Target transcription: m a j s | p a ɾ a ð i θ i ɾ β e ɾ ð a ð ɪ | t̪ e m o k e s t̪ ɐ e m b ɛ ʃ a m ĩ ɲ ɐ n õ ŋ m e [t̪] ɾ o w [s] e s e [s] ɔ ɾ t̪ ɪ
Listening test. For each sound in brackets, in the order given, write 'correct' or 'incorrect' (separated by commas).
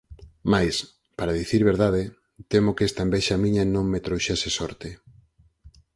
correct, incorrect, correct